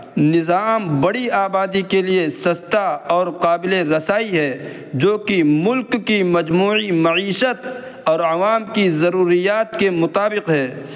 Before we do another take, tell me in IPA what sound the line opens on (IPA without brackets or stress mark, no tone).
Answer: n